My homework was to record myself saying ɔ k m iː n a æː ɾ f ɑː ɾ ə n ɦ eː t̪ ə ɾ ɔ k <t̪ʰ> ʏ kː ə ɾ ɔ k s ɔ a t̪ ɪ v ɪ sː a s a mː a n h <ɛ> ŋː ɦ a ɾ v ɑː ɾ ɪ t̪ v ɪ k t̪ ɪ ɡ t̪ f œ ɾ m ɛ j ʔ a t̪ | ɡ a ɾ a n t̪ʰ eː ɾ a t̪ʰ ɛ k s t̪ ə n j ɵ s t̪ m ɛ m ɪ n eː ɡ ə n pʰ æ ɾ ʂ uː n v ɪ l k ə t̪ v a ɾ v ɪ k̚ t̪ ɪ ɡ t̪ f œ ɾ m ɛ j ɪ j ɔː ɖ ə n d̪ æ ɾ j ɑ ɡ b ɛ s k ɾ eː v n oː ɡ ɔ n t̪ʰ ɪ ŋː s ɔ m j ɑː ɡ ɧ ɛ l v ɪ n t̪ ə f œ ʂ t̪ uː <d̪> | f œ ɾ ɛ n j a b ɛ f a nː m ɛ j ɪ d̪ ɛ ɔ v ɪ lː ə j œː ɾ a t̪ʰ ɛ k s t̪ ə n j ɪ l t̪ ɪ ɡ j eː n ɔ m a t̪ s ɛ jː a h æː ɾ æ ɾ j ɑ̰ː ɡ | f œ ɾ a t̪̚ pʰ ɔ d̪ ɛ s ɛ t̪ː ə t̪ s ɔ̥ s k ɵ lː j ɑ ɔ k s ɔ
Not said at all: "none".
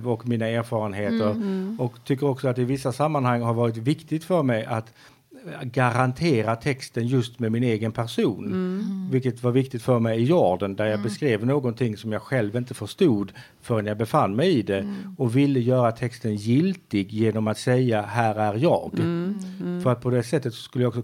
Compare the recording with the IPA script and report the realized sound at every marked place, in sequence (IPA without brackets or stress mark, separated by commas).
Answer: t̪ʰ, a, d̪